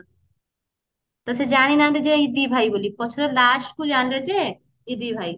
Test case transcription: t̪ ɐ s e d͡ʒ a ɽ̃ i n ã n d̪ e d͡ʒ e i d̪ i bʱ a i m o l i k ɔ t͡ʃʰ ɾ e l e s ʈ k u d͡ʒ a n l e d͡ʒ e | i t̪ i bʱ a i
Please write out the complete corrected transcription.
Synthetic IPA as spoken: t̪ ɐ s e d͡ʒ a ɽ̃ i n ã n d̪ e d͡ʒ e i d̪ i bʱ a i b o l i p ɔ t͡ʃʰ ɾ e l a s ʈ k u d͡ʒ a n l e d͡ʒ e | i d̪ i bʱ a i